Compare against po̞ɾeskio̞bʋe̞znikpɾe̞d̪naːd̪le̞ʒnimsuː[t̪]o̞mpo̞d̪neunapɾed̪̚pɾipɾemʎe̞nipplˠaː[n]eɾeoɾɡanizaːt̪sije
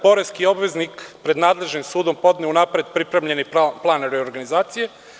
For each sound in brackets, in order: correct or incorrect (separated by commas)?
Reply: incorrect, correct